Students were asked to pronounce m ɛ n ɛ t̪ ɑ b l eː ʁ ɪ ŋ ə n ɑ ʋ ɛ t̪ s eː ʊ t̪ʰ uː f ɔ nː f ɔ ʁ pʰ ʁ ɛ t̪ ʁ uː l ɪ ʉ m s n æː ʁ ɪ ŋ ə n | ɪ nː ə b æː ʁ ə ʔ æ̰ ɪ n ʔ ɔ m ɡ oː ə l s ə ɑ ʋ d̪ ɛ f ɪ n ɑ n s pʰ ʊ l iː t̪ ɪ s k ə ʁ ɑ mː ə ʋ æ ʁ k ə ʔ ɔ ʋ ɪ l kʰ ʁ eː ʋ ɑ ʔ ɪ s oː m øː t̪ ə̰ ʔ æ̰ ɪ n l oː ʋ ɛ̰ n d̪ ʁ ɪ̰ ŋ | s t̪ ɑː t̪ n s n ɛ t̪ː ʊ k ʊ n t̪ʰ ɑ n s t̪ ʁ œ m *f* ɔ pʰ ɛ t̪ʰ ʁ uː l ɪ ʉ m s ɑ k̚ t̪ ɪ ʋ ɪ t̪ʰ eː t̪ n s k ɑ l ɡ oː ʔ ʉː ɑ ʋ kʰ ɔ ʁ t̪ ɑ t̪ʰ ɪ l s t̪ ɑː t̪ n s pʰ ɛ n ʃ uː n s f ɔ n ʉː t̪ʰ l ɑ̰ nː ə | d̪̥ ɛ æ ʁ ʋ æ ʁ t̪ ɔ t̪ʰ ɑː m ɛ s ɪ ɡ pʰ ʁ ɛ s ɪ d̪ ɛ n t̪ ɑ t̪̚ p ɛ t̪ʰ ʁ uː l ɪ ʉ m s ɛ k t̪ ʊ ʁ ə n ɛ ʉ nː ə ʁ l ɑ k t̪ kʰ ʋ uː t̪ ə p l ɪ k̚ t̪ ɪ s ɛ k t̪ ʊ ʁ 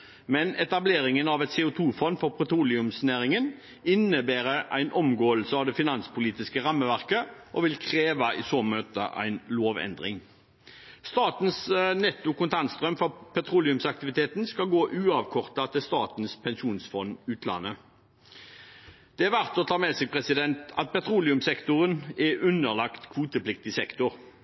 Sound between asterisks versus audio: correct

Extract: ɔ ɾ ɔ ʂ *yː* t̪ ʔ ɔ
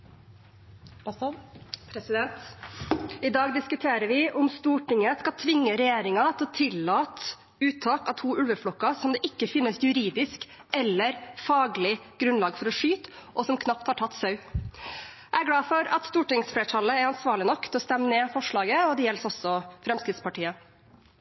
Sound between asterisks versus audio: correct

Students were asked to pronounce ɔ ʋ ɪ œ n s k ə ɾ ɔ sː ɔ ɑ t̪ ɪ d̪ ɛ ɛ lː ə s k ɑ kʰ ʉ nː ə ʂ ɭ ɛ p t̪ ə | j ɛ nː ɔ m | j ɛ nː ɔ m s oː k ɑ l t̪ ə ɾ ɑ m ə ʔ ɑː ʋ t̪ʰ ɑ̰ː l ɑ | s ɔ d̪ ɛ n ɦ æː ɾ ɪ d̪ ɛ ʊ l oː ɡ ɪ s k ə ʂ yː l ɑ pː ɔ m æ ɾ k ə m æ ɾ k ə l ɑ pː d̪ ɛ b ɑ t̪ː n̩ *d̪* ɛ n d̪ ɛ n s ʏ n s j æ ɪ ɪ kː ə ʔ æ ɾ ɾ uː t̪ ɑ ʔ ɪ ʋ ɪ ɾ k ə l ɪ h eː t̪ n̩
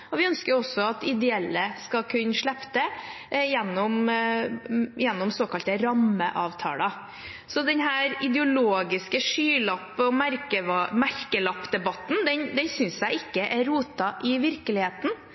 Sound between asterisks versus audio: correct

